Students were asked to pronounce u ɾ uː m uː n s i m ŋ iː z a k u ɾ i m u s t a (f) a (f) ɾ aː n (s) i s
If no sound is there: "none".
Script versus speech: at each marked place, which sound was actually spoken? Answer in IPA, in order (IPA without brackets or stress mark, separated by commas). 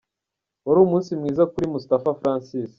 f, f, s